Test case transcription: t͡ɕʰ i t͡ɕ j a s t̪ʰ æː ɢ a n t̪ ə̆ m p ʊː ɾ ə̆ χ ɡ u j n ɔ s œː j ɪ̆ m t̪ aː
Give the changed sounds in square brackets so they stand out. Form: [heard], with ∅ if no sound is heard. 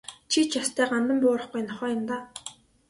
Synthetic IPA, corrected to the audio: t͡ɕʰ i t͡ɕ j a s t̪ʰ æː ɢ a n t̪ ə̆ m p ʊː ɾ ə̆ χ ɡ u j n ɔ [χ] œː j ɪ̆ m t̪ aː